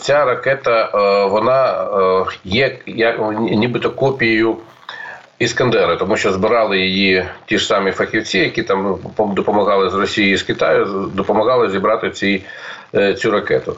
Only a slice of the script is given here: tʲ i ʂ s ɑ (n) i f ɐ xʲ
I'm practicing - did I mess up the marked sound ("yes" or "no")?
yes